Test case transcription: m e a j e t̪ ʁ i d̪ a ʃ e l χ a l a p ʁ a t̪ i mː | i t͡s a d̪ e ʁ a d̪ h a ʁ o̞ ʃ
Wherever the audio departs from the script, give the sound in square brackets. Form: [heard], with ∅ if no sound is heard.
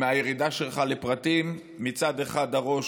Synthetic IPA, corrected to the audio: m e a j e [∅] ʁ i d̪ a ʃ e l χ a l [e] p ʁ a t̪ i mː | i t͡s a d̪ e [χ] a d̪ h a ʁ o̞ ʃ

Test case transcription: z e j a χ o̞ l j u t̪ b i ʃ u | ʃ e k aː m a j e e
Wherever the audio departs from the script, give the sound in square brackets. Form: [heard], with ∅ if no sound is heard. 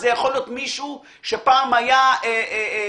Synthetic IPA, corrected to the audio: z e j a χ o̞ l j [o] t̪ [m] i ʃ u | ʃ e [p] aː m a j [a] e

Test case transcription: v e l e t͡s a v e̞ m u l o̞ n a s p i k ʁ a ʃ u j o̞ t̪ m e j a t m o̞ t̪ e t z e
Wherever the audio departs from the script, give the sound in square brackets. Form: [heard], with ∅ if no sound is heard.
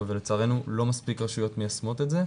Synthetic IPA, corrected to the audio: v e l e t͡s a [ʁ] e̞ [n] u l o̞ [m] a s p i k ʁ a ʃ u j o̞ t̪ m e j a [s] m o̞ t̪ e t z e

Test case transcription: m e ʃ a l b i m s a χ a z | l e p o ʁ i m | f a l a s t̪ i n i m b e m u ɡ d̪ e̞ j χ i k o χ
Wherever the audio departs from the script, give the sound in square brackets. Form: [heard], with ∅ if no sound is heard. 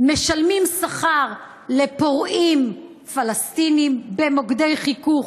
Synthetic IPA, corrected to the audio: m e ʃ a l [m] i m s a χ a [ʁ] | l e p o ʁ i m | f a l a s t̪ i n i m b e m [o] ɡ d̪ e̞ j χ i k [u] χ

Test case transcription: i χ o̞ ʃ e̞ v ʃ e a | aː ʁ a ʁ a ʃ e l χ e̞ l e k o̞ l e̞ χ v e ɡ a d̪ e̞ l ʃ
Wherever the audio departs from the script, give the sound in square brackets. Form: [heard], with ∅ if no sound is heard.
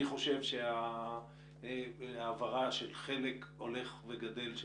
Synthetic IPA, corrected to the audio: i χ o̞ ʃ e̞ v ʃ e a | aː [v] a ʁ a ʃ e l χ e̞ l e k o̞ l e̞ χ v e ɡ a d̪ e̞ l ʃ

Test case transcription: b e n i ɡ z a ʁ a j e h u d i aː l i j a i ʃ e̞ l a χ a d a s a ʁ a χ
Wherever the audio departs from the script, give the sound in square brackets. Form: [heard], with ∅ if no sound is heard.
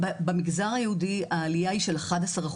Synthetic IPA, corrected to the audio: b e [m] i ɡ z a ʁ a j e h u d i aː l i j a i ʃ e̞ l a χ a d a s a ʁ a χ

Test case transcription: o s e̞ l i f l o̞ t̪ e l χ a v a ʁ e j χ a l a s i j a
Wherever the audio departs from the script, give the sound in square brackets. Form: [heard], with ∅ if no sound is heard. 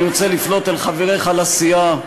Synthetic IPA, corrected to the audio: o [t͡s] e̞ l i f l o̞ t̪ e l χ a v [e] ʁ e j χ a l a s i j a

